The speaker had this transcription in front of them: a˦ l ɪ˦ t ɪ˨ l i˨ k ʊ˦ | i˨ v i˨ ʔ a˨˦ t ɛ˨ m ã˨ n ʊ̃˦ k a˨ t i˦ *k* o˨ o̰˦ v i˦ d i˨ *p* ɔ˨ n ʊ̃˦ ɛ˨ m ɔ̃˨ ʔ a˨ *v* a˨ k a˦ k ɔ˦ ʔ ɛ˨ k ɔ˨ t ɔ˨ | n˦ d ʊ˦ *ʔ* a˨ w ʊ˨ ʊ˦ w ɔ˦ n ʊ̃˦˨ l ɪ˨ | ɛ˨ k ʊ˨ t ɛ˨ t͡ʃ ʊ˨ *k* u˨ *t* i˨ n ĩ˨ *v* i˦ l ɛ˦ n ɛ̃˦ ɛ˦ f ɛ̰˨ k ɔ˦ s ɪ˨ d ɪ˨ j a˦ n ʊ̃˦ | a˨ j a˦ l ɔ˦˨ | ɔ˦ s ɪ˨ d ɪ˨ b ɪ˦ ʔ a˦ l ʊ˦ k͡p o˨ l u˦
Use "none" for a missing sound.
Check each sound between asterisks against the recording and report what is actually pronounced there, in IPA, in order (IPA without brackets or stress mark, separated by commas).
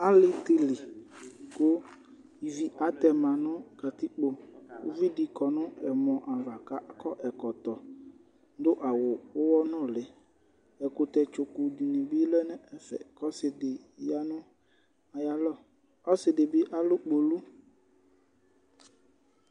k͡p, k, v, ʔ, k, d, b